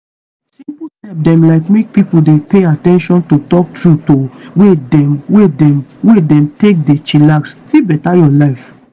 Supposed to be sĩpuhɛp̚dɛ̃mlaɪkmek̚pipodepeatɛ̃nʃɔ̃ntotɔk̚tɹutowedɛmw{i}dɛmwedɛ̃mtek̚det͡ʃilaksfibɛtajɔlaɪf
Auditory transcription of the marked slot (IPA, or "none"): e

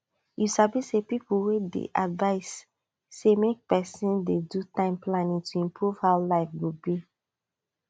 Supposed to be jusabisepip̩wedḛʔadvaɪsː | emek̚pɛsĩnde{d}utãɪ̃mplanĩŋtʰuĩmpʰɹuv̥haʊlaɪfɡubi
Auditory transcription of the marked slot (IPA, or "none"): d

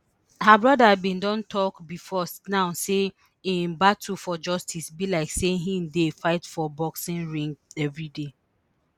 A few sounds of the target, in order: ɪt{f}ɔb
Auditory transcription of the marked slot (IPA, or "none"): f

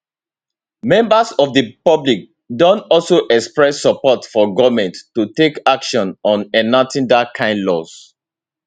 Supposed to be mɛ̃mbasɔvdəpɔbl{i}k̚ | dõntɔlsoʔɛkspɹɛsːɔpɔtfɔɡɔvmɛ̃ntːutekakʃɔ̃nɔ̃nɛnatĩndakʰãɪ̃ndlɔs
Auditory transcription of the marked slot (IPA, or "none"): i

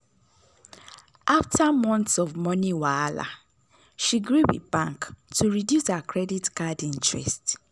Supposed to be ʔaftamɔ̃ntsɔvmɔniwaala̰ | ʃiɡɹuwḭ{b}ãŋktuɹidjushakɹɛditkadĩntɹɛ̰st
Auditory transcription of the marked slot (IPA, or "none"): b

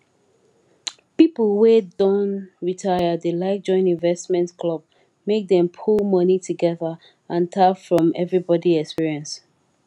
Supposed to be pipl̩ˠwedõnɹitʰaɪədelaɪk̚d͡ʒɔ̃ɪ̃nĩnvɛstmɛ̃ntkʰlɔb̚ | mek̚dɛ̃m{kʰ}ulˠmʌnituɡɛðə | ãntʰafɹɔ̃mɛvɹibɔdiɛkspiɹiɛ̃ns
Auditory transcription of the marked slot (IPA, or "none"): pʰ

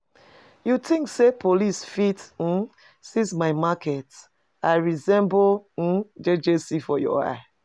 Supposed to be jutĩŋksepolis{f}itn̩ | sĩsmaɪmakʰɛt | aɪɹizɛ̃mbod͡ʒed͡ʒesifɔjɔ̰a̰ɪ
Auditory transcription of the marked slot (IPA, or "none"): f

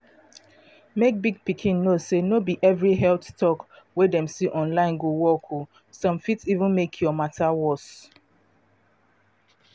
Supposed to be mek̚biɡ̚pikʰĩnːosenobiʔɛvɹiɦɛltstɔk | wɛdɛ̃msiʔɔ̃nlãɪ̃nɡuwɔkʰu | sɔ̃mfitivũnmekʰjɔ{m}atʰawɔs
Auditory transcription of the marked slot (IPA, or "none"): m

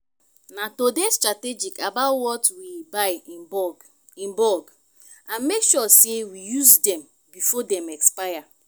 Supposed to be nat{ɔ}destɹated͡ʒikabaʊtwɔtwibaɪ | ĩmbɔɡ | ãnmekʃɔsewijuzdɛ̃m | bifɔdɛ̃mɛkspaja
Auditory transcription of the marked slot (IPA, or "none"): o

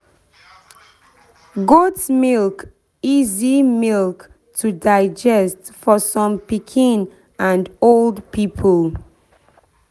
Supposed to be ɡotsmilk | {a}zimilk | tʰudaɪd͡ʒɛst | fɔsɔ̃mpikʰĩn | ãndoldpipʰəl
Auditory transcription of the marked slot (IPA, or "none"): i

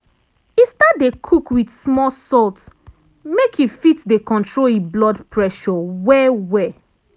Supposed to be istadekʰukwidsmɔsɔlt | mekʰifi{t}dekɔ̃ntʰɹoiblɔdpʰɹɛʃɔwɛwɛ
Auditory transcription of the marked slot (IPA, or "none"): t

